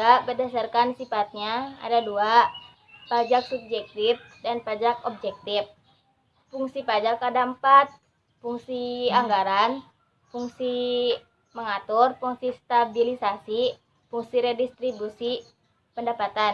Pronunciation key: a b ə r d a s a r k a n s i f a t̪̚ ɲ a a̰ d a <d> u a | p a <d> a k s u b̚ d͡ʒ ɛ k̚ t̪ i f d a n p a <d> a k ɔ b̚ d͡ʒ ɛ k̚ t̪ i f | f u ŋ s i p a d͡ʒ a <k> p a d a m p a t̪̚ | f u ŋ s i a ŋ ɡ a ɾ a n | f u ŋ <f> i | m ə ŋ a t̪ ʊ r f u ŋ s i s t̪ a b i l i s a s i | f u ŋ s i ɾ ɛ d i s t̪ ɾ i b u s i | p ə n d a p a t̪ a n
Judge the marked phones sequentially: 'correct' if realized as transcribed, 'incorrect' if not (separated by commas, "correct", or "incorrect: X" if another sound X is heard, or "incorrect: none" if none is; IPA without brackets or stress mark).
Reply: correct, incorrect: d͡ʒ, incorrect: d͡ʒ, correct, incorrect: s